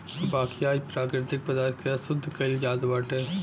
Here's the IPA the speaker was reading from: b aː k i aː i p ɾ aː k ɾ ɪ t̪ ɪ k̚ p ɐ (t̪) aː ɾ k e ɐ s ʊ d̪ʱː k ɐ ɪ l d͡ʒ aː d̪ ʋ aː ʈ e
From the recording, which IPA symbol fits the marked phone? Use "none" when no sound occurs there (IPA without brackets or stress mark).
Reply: d̪